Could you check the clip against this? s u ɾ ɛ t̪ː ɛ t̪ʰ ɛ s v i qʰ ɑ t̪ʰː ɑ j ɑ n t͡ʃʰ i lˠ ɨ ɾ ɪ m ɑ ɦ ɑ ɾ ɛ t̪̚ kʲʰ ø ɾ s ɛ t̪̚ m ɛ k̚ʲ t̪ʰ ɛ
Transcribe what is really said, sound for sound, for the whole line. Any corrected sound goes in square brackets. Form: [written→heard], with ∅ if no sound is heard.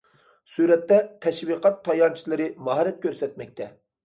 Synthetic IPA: s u ɾ ɛ t̪ː ɛ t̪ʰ ɛ [s→ʃ] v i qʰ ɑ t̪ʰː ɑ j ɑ n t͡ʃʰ i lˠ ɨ ɾ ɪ m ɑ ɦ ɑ ɾ ɛ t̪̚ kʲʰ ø ɾ s ɛ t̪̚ m ɛ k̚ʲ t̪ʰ ɛ